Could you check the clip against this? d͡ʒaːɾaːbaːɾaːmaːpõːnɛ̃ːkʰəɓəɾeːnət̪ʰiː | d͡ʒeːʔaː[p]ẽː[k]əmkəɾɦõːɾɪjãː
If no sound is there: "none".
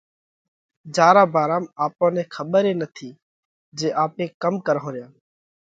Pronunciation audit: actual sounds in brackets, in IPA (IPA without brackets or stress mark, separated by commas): p, k